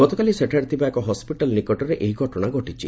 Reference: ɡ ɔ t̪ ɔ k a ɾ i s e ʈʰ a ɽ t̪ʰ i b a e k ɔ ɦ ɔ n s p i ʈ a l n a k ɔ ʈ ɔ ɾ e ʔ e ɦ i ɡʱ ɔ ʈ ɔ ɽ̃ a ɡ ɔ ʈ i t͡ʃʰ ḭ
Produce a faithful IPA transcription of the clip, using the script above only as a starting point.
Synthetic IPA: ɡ ɔ t̪ ɔ k a l i s e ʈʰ a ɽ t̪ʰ i b a e k ɔ ɦ ɔ s p i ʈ a l n i k ɔ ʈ ɔ ɾ e ʔ e ɦ i ɡʱ ɔ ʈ ɔ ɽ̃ a ɡ ɔ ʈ i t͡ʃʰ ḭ